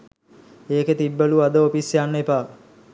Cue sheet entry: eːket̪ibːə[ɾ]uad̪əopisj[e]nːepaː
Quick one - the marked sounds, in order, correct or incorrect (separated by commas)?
incorrect, incorrect